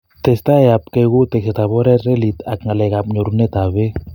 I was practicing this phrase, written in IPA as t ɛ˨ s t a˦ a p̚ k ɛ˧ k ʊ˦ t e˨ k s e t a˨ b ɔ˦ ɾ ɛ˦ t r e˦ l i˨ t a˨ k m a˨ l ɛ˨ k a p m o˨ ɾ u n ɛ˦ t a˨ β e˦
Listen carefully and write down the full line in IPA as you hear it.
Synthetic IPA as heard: t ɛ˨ s t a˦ a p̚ k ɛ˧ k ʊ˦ t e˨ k s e t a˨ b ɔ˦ ɾ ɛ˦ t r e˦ l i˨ t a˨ k ŋ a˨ l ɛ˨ k a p ɲ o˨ ɾ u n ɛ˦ t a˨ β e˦